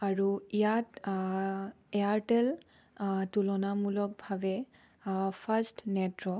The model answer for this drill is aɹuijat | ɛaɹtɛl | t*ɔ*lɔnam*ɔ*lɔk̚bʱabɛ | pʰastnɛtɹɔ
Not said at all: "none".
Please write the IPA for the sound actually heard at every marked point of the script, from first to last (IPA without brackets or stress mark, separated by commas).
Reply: u, u